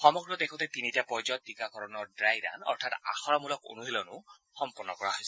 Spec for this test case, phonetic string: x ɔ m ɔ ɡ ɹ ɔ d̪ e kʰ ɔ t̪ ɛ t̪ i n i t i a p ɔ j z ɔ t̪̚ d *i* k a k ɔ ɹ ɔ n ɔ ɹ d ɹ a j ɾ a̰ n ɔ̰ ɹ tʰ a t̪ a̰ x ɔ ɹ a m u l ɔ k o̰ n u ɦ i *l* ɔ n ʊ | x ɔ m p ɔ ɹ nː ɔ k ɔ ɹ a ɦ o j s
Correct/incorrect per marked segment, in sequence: correct, correct

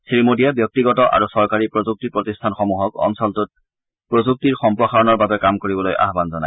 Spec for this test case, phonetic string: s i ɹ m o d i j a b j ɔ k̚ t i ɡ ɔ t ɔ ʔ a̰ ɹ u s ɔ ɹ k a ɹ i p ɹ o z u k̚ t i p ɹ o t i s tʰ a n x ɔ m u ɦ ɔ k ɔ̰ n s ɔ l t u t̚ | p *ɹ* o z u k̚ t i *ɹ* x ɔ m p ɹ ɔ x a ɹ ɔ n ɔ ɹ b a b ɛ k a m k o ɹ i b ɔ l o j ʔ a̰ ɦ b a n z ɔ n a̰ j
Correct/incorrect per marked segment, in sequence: correct, correct

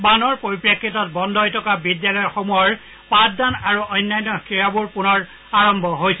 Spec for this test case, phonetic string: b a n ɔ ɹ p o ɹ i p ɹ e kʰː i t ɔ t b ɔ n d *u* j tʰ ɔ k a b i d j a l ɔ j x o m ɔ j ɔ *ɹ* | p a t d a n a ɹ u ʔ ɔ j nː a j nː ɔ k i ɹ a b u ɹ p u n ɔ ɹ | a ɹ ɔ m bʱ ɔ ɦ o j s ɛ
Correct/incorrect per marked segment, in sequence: incorrect: ɔ, correct

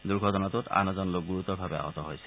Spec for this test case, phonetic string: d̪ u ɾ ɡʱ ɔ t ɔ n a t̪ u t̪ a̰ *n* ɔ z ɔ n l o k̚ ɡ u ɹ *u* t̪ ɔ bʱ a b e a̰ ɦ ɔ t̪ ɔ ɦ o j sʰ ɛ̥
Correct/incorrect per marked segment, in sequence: correct, correct

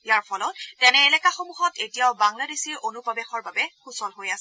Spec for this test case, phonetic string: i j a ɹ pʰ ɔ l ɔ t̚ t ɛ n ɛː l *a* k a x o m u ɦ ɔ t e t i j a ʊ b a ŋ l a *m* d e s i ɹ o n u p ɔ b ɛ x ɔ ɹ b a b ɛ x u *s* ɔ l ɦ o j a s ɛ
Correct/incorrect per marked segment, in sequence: incorrect: ɛ, incorrect: none, correct

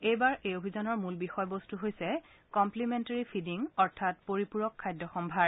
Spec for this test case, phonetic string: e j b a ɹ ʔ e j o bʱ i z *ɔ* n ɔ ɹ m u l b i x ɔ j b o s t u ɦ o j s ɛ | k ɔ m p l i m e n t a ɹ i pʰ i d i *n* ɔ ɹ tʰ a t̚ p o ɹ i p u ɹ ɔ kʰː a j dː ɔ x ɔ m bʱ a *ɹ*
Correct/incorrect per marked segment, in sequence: correct, incorrect: ŋ, correct

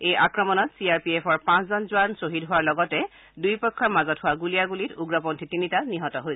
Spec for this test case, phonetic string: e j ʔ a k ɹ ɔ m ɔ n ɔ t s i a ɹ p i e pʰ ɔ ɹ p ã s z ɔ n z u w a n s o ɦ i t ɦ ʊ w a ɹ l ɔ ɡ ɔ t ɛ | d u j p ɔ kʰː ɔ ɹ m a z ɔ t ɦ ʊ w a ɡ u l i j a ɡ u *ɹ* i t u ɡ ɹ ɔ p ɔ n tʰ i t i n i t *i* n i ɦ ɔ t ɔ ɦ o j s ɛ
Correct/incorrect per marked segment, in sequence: incorrect: l, incorrect: a

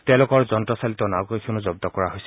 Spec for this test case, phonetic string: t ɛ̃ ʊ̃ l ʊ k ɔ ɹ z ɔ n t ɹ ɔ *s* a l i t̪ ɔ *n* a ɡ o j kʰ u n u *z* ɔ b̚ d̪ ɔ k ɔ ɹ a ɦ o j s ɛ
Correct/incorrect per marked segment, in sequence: correct, correct, correct

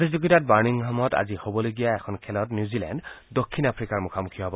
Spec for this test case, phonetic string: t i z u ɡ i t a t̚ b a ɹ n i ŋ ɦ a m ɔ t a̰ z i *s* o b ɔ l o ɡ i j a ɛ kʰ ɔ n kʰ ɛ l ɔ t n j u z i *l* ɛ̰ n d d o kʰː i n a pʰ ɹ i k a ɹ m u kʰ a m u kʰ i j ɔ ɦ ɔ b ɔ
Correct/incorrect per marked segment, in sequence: incorrect: h, correct

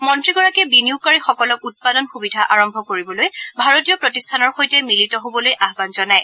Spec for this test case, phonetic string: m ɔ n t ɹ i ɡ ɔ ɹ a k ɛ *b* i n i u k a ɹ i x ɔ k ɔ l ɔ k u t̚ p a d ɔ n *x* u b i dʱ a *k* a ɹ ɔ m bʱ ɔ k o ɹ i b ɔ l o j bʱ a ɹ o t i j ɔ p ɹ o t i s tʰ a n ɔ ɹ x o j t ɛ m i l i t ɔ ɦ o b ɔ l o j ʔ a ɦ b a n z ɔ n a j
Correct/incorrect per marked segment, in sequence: correct, correct, incorrect: ʔ

